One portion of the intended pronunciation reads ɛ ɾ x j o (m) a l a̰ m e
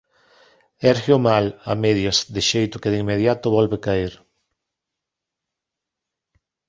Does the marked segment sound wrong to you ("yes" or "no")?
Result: no